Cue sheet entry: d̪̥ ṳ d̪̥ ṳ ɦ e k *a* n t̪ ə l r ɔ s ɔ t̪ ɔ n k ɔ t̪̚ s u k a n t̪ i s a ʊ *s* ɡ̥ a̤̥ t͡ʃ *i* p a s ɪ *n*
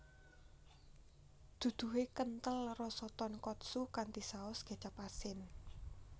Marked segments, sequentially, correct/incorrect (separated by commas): incorrect, correct, incorrect, correct